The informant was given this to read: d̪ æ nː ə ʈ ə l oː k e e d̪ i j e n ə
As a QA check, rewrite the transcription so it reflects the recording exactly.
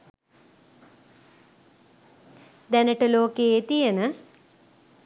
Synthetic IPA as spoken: d̪ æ n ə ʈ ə l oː k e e t̪ i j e n ə

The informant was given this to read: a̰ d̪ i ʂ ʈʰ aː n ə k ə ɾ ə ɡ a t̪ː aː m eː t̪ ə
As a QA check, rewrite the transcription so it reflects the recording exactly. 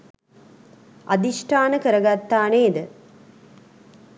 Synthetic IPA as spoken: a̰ d̪ i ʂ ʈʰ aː n ə k ə ɾ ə ɡ a t̪ː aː n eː d̪ ə

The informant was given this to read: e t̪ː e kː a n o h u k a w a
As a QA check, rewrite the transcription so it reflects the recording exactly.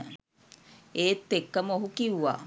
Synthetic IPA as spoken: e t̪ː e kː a m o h u k i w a

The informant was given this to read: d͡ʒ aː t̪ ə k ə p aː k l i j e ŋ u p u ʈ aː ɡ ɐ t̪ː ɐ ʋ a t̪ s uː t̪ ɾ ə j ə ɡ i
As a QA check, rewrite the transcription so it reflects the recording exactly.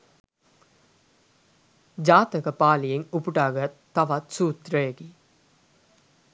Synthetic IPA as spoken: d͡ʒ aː t̪ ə k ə p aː l i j e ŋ u p u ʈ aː ɡ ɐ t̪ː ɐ ʋ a t̪ s uː t̪ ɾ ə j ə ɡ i

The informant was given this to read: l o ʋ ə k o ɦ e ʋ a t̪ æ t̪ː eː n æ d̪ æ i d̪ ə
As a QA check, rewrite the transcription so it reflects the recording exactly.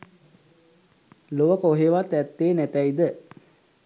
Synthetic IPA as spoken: l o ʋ ə k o ɦ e ʋ a t̪ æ t̪ː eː n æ t̪ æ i d̪ ə

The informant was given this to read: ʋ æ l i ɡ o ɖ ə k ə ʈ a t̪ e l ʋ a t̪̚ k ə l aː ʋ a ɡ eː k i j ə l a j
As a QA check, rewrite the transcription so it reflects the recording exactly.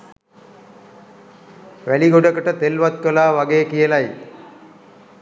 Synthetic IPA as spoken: ʋ æ l i ɡ o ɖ ə k ə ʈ ə t̪ e l ʋ a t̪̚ k ə l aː ʋ a ɡ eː k i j ə l a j

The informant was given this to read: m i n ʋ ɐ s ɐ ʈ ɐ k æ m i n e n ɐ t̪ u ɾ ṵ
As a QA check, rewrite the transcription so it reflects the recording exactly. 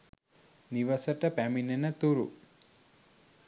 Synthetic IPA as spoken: n i ʋ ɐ s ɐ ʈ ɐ p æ m i n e n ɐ t̪ u ɾ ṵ

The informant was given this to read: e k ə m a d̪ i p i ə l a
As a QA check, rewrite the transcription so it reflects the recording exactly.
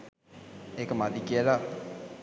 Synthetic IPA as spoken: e k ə m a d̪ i k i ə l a

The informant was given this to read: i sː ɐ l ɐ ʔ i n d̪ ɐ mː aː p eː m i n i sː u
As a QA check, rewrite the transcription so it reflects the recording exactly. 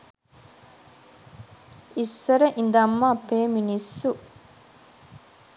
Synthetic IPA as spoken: i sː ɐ ɾ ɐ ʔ i n d̪ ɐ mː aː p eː m i n i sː u

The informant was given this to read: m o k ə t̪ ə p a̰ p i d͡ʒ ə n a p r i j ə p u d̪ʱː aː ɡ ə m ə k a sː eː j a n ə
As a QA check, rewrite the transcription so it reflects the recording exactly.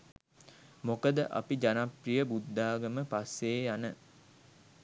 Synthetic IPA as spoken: m o k ə d̪ ə ʔ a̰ p i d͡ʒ a n a p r i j ə b u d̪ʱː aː ɡ ə m ə p a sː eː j a n ə

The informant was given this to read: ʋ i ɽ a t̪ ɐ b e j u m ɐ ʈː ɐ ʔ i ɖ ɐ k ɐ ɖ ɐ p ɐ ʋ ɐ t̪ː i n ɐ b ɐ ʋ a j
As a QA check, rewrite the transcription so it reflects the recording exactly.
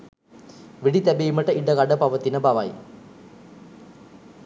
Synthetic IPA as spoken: ʋ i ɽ i t̪ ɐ b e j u m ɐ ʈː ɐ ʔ i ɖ ɐ k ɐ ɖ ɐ p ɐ ʋ ɐ t̪ː i n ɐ b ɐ ʋ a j

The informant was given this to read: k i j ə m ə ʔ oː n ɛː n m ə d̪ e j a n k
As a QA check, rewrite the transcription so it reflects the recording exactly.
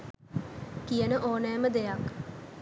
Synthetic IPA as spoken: k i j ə n ə ʔ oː n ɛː m ə d̪ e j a k

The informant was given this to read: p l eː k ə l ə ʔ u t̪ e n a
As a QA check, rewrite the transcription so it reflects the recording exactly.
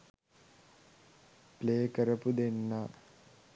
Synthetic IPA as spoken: p l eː k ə ɾ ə p u d̪ e nː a

